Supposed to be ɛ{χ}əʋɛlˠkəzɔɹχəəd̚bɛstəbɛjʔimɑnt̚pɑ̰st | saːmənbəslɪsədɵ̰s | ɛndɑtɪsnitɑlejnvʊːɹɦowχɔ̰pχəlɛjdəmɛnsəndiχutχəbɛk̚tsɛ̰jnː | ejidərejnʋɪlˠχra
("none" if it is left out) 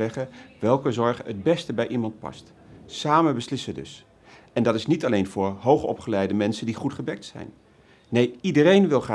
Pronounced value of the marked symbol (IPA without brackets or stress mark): χ